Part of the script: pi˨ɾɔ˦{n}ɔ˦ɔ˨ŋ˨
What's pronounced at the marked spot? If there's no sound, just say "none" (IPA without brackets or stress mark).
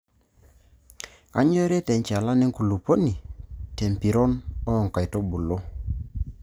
n